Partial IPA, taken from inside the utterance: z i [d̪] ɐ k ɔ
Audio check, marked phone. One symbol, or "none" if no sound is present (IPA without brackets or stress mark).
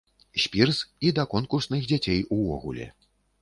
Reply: d̪